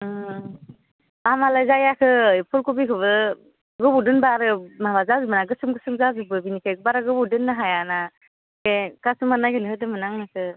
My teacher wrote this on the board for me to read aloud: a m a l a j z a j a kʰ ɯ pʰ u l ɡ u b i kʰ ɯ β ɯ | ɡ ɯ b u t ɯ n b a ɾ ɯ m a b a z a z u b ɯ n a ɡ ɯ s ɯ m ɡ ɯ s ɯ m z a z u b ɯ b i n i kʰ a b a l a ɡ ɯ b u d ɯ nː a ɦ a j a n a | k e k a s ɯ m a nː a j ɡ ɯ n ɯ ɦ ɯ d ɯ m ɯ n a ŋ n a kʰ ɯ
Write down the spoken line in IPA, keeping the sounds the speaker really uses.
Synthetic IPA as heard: a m a l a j z a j a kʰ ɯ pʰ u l k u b i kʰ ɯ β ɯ | ɡ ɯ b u d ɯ n b a ɾ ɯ m a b a z a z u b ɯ n a ɡ ɯ s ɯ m ɡ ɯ s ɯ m z a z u b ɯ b i n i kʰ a b a ɾ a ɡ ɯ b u d ɯ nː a ɦ a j a n a | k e k a s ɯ m a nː a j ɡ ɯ n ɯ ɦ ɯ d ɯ m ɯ n a ŋ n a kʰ ɯ